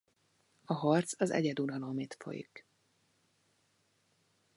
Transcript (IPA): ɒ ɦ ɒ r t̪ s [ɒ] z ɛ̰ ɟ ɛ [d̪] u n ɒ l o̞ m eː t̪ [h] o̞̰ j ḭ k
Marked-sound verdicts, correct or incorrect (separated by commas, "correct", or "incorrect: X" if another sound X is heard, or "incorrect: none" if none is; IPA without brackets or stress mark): correct, correct, incorrect: f